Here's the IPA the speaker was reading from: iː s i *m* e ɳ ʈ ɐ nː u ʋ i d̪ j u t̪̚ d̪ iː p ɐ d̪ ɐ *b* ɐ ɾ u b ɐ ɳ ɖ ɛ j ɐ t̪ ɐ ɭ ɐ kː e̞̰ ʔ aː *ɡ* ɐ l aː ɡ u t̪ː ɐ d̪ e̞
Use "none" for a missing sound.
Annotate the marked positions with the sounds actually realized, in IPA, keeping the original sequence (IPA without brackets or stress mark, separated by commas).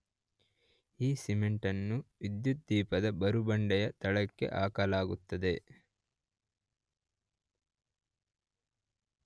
m, b, k